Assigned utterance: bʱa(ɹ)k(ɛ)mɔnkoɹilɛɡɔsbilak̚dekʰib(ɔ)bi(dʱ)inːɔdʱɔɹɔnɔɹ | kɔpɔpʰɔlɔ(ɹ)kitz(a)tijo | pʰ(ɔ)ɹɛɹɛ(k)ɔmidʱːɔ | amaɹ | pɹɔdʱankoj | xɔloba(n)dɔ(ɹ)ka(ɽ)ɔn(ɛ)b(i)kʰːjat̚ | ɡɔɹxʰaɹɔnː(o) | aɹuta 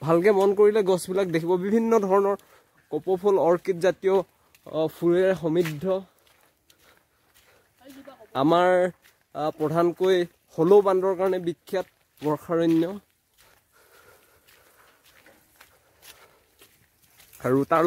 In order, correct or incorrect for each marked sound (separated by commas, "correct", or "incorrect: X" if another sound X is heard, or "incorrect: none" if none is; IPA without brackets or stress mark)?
incorrect: l, correct, correct, incorrect: bʱ, correct, correct, incorrect: u, incorrect: x, correct, correct, incorrect: ɹ, correct, correct, incorrect: ɔ